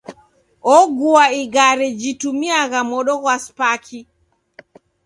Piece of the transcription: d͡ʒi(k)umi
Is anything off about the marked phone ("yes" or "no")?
yes